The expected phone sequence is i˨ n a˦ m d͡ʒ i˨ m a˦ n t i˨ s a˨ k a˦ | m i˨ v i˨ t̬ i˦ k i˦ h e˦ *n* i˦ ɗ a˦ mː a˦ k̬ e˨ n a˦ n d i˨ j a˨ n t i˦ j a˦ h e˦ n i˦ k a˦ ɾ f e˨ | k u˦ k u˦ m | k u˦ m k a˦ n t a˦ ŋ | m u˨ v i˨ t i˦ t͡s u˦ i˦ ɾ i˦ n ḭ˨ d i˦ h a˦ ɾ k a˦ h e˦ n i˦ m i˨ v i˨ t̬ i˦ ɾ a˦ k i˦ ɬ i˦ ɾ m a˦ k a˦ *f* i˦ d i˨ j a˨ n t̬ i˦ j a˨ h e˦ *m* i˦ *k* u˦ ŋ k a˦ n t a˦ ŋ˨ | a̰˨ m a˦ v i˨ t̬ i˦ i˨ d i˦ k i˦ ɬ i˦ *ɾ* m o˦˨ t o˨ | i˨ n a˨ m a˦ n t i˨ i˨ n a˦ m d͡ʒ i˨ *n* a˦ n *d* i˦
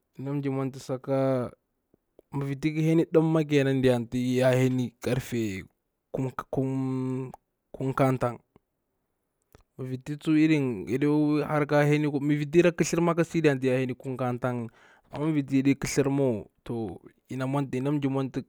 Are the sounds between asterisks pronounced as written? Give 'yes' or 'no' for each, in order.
yes, no, no, yes, yes, no, no

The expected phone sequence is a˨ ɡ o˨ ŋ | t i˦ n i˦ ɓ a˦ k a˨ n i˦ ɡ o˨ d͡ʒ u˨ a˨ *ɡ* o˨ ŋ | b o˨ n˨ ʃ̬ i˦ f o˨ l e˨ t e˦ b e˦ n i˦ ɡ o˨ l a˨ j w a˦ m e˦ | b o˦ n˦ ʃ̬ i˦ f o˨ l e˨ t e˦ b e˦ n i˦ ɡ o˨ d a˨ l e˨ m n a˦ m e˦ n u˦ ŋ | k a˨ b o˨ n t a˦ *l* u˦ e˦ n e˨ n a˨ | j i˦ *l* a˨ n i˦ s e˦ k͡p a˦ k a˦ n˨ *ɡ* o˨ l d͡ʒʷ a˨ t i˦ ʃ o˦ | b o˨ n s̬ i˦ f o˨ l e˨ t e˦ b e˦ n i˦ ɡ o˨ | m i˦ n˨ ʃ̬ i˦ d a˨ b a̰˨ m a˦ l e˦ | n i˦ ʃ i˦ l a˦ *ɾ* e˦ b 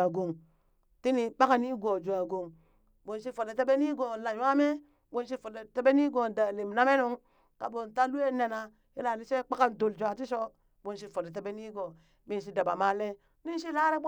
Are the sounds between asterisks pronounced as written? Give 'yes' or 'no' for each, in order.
yes, yes, yes, no, yes

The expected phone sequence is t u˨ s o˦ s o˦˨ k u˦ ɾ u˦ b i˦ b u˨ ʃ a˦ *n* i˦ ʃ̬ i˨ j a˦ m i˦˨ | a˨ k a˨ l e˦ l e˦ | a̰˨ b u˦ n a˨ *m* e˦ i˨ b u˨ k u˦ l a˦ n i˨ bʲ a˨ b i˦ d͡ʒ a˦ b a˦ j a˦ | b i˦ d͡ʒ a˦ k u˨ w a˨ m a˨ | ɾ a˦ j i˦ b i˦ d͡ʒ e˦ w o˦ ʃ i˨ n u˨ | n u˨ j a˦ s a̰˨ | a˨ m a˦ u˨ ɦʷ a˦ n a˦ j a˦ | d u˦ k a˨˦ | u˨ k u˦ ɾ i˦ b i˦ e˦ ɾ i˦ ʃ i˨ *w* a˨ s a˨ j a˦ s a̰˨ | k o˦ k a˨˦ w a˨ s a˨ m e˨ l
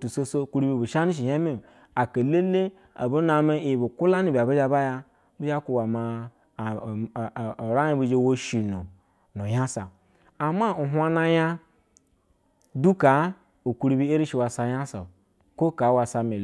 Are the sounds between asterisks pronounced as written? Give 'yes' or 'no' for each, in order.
yes, yes, yes

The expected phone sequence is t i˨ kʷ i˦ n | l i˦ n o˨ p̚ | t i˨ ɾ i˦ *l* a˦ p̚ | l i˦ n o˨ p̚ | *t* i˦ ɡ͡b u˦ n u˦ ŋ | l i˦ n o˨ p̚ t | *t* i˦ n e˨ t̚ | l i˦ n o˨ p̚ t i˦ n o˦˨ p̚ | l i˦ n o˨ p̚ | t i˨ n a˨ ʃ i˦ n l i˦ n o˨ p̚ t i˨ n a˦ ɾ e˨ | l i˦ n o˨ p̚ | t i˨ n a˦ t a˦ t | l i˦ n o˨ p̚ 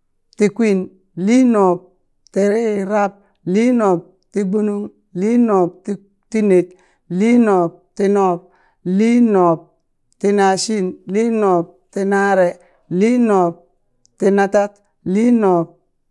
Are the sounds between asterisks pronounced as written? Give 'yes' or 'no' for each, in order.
no, yes, yes

